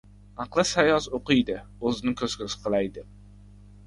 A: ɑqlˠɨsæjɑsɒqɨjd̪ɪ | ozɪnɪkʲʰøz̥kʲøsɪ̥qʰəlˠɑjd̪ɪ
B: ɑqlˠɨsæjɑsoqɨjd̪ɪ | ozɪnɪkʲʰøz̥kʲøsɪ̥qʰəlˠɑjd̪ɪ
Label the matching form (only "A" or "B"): B